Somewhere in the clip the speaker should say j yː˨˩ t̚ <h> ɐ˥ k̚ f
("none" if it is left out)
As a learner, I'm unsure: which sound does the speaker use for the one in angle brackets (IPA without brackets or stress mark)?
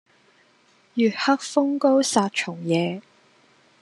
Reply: h